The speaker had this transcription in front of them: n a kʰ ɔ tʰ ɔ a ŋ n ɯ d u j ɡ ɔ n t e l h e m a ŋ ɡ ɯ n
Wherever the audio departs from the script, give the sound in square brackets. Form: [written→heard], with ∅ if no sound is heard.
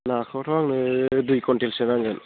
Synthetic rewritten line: n a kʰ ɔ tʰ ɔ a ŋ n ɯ d u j [ɡ→k] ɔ n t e l [h→s] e [m→n] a ŋ ɡ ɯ n